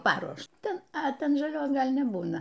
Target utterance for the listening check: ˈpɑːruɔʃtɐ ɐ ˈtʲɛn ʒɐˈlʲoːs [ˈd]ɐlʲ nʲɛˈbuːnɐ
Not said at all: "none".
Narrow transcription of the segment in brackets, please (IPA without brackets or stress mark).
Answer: ɡ